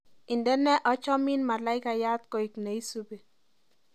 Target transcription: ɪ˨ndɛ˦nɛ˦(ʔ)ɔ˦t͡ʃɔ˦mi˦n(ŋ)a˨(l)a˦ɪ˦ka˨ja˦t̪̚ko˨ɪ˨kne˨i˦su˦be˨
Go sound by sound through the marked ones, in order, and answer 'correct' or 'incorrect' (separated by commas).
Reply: correct, incorrect, correct